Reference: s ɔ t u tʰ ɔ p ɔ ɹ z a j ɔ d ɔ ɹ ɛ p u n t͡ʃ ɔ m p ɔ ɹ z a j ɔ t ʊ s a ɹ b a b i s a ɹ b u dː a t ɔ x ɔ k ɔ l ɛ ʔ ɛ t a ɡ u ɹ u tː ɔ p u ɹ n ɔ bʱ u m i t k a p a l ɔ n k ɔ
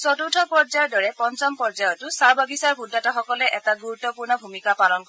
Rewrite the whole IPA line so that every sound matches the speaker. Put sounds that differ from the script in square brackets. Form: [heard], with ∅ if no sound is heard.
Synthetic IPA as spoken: s ɔ t u tʰ ɔ p ɔ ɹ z a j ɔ d ɔ ɹ ɛ p [ɔ] n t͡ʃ ɔ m p ɔ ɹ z a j ɔ t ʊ s a ɹ b a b i s a ɹ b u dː a t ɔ x ɔ k ɔ l ɛ ʔ ɛ t a ɡ u ɹ u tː ɔ p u ɹ n ɔ bʱ u m i [∅] k a p a l ɔ n k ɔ

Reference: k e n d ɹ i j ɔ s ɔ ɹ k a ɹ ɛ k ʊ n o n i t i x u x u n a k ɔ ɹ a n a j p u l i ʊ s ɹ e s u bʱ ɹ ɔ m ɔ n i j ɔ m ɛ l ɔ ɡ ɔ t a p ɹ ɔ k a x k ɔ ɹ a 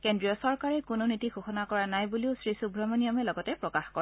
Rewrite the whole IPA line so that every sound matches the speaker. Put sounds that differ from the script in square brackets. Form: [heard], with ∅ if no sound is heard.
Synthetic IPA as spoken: k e n d ɹ i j ɔ s ɔ ɹ k a ɹ ɛ k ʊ n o n i t i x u x [ɔ] n a k ɔ ɹ a n a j [b] u l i ʊ s ɹ [i] s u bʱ ɹ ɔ m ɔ n i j ɔ m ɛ l ɔ ɡ ɔ t [ɛ] p ɹ ɔ k a x k ɔ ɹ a

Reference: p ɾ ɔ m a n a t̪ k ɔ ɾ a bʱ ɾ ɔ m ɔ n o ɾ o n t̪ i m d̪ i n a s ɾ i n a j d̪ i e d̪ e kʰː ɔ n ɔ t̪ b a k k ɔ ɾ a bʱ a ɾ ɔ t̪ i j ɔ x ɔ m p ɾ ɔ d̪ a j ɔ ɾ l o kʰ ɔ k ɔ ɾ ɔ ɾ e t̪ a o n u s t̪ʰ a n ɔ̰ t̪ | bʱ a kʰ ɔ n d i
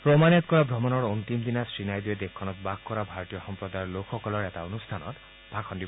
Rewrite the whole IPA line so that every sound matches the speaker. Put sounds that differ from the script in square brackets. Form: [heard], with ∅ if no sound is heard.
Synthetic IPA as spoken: p ɾ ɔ m a n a t̪ k ɔ ɾ a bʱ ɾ ɔ m ɔ n [ɔ] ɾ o n t̪ i m d̪ i n a s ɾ i n a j d̪ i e d̪ e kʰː ɔ n ɔ t̪ b a k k ɔ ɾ a bʱ a ɾ ɔ t̪ i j ɔ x ɔ m p ɾ ɔ d̪ a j ɔ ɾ l o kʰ ɔ k ɔ [l] ɔ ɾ e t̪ a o n u s t̪ʰ a n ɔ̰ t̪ | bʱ a kʰ ɔ n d i

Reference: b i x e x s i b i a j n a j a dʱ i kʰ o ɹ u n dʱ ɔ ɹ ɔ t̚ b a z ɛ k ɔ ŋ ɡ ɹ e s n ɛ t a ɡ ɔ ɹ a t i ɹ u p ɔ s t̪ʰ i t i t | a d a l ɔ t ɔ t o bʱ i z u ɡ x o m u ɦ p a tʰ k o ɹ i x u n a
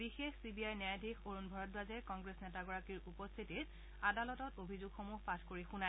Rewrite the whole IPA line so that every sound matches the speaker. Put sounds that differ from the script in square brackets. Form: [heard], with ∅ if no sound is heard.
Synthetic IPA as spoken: b i x e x s i b i a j n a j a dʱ i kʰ o ɹ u n [bʱ] ɔ ɹ ɔ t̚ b a z ɛ k ɔ ŋ ɡ ɹ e s n ɛ t a ɡ ɔ ɹ a [k] i ɹ u p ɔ s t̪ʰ i t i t | a d a l ɔ t ɔ t o bʱ i z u ɡ x o m u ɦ p a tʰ k o ɹ i x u n a

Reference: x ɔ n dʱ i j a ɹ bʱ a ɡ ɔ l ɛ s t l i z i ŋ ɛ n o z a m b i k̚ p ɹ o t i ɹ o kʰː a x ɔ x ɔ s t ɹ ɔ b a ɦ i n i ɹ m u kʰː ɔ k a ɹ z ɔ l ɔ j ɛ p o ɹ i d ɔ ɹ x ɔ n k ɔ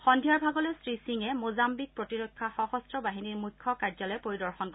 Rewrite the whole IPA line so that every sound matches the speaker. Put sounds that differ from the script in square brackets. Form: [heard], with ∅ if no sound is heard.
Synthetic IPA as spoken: x ɔ n dʱ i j a ɹ bʱ a ɡ ɔ l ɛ s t [ɹ] i [s] i ŋ ɛ [m] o z a m b i k̚ p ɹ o t i ɹ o kʰː a x ɔ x ɔ s t ɹ ɔ b a ɦ i n i ɹ m u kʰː ɔ k a ɹ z ɔ l ɔ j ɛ p o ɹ i d ɔ ɹ x ɔ n k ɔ

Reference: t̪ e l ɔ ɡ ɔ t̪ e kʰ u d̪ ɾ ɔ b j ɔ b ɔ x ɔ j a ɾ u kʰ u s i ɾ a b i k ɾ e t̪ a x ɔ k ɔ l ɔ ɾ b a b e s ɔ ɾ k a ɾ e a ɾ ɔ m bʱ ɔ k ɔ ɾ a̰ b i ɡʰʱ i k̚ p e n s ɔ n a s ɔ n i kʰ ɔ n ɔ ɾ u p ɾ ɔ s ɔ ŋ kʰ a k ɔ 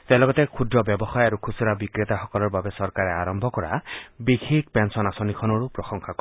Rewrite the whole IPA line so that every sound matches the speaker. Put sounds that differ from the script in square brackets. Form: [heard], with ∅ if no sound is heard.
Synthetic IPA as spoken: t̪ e l ɔ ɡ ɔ t̪ e kʰ u d̪ ɾ ɔ b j ɔ b ɔ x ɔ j a ɾ u kʰ u s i ɾ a b i k ɾ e t̪ a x ɔ k ɔ l ɔ ɾ b a b e s ɔ ɾ k a ɾ e a ɾ ɔ m bʱ ɔ k ɔ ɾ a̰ b i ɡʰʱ i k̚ p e n s ɔ n a s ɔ n i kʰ ɔ n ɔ ɾ u p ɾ ɔ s ɔ ŋ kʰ a k ɔ

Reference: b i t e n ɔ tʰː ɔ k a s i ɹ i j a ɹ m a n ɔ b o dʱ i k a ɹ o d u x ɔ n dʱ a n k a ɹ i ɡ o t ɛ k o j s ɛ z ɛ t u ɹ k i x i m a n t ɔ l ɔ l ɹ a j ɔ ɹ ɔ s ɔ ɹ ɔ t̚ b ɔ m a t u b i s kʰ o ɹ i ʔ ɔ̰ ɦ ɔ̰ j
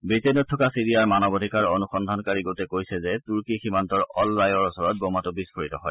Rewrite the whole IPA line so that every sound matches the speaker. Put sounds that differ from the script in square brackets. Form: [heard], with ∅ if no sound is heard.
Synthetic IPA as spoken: b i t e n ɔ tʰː ɔ k a s i ɹ i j a ɹ m a n ɔ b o dʱ i k a ɹ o [n] u x ɔ n dʱ a n k a ɹ i ɡ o t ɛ k o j s ɛ z ɛ t u ɹ k i x i m a n t ɔ [ɹ] ɔ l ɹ a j ɔ ɹ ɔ s ɔ ɹ ɔ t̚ b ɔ m a t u b i s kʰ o ɹ i [t] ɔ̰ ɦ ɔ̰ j

